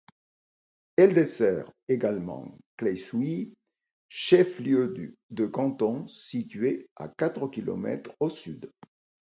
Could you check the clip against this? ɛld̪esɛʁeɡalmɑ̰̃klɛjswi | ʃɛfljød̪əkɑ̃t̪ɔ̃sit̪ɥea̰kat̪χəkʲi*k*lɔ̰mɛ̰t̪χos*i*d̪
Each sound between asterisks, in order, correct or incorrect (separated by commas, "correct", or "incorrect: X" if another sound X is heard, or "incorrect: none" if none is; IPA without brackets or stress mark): incorrect: none, incorrect: y